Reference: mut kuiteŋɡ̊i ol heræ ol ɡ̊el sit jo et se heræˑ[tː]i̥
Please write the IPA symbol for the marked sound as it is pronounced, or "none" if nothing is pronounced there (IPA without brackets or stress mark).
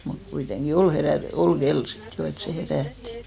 tː